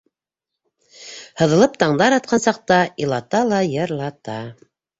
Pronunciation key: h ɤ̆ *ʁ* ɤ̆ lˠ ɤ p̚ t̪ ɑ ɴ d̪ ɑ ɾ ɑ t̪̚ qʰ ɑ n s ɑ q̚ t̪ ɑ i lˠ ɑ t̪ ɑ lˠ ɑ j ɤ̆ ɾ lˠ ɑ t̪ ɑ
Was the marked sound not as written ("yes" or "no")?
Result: yes